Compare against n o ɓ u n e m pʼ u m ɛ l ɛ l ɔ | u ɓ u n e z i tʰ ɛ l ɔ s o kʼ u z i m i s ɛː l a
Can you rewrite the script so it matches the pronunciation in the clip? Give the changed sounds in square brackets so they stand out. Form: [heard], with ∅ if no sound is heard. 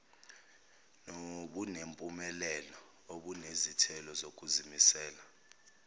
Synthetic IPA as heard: n o ɓ u n e m pʼ u m ɛ l ɛ l ɔ | [o] ɓ u n e z i tʰ ɛ l ɔ [z] o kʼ u z i m i s ɛː l a